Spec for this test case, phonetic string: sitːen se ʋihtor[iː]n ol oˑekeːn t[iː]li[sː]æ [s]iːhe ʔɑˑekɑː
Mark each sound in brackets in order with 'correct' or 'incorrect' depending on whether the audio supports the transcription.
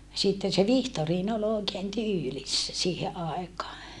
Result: correct, incorrect, correct, correct

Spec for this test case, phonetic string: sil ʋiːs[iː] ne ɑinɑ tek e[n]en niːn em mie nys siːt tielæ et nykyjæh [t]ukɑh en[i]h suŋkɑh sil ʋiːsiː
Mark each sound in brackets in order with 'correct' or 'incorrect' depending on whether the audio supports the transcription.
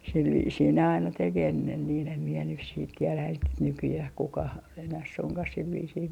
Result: correct, incorrect, incorrect, incorrect

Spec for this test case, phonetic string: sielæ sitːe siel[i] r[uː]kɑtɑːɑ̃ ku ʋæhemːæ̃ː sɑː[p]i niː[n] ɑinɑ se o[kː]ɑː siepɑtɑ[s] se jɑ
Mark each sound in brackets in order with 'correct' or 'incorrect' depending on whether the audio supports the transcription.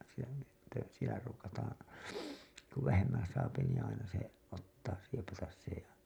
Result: incorrect, correct, correct, incorrect, incorrect, correct

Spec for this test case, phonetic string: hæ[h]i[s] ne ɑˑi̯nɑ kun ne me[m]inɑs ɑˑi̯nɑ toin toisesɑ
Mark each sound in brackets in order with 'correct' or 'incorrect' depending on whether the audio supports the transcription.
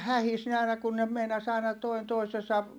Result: correct, correct, incorrect

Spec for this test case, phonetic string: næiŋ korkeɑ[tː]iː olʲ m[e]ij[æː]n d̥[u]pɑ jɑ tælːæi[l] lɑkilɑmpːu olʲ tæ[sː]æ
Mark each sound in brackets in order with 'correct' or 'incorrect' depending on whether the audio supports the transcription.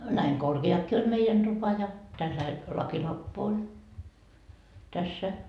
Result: incorrect, correct, incorrect, correct, correct, correct

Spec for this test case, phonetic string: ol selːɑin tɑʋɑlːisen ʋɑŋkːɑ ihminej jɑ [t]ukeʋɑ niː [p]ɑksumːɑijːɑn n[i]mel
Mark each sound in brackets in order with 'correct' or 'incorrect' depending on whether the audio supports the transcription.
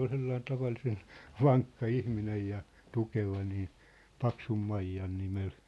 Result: correct, correct, correct

